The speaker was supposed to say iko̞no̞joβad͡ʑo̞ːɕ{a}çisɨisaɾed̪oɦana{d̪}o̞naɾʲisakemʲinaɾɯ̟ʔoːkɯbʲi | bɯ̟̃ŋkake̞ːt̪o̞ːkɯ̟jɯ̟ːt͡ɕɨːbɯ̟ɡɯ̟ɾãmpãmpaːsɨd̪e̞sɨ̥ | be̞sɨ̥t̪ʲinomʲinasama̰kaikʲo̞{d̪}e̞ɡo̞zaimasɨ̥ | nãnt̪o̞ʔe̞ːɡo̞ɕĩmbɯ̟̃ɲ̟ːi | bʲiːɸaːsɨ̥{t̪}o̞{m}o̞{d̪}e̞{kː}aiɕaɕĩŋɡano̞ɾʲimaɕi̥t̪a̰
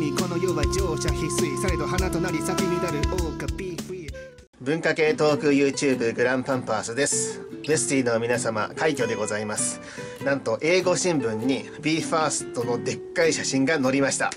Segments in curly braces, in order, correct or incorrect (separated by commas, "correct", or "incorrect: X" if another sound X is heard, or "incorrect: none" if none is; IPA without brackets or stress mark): correct, incorrect: t̪, correct, correct, incorrect: n, correct, correct